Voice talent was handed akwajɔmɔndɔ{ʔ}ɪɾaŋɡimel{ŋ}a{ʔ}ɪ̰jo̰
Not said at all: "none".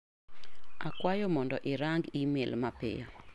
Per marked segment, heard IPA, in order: ʔ, m, p

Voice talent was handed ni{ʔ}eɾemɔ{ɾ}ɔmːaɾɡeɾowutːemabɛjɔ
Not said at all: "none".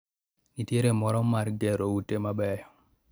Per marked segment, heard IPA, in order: t, ɾ

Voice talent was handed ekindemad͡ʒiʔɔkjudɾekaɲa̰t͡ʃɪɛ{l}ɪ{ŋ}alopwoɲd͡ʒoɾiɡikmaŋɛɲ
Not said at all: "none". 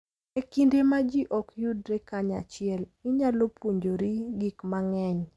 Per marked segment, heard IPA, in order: l, ɲ

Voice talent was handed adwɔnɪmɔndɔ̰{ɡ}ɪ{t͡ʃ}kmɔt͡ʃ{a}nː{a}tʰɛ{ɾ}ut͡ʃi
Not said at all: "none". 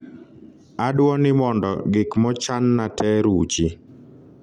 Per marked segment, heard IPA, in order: ɡ, none, a, a, ɾ

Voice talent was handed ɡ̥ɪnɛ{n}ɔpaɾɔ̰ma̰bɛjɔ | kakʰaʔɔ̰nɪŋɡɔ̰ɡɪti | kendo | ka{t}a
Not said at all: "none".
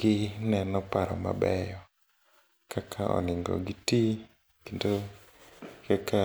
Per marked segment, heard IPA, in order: n, k

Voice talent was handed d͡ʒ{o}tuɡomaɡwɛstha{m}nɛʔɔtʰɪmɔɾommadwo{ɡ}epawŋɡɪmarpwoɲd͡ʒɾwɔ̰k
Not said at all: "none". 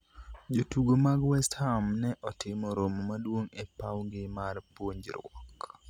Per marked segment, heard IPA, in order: o, m, ŋ

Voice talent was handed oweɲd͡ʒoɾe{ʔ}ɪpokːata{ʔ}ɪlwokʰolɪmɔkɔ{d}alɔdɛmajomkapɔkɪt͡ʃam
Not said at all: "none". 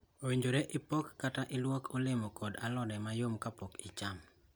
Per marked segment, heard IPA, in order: ʔ, ʔ, d

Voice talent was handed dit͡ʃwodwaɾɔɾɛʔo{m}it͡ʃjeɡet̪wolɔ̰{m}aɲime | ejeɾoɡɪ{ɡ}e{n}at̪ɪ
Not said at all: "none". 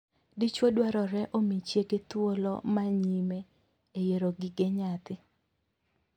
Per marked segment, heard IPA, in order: m, m, ɡ, ɲ

